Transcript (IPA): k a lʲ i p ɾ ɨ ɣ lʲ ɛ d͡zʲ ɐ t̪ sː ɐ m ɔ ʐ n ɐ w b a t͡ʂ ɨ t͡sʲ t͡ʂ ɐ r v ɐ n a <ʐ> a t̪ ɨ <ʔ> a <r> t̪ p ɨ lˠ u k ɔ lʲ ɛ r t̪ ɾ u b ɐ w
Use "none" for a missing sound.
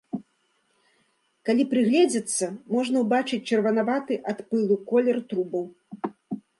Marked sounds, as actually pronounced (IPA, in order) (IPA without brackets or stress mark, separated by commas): v, ʔ, none